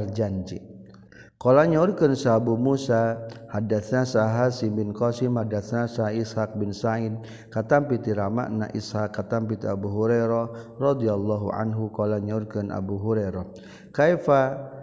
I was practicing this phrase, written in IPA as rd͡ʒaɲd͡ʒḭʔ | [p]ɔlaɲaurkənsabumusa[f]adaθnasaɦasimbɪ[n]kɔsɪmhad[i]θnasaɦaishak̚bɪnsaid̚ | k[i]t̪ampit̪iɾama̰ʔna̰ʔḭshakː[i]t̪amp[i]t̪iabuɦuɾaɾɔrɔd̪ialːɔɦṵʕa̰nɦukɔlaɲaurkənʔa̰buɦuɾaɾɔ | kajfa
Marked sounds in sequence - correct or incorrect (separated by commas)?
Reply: incorrect, incorrect, correct, incorrect, incorrect, incorrect, correct